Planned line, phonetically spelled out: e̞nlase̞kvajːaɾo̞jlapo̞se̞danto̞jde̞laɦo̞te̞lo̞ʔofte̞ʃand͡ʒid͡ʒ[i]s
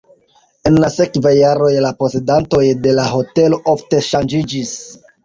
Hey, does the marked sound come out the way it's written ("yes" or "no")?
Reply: yes